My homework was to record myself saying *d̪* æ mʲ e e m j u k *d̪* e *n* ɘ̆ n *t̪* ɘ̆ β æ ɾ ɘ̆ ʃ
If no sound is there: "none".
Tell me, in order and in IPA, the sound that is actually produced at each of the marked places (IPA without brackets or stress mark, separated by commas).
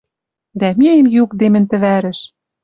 d̪, d̪, m, t̪